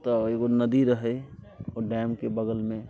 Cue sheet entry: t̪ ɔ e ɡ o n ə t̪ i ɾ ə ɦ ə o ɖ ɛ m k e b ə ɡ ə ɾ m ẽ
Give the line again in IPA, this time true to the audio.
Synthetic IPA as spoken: t̪ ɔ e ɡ o n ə d̪ i ɾ ə ɦ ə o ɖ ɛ m k e b ə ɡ ə l m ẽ

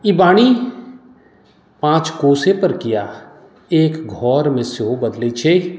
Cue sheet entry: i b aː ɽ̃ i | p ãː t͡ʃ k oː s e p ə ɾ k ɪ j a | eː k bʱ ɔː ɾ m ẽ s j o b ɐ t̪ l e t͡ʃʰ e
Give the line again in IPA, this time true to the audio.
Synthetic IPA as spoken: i b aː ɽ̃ i | p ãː t͡ʃ k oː s e p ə ɾ k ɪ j a | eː k ɡʱ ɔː ɾ m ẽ s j o b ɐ d̪ l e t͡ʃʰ e

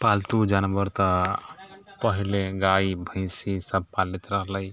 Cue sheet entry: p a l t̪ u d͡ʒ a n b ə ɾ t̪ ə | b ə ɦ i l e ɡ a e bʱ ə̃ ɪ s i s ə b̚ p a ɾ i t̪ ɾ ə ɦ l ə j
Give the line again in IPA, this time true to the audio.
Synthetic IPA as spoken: p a l t̪ u d͡ʒ a n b ə ɾ t̪ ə | p ə ɦ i l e ɡ a i bʱ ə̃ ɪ s i s ə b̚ p a l i t̪ ɾ ə ɦ l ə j

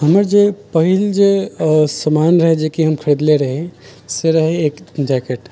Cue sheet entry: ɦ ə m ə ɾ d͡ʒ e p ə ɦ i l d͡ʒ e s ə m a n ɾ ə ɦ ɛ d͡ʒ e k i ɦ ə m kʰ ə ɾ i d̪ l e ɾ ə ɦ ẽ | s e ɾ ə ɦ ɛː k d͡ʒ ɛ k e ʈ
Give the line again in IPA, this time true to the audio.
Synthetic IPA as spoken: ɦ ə m ə ɾ d͡ʒ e p ə ɦ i l d͡ʒ e s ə m a n ɾ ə ɦ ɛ d͡ʒ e k i ɦ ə m kʰ ə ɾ i d̪ l e ɾ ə ɦ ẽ | s e ɾ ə ɦ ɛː k d͡ʒ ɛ k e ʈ

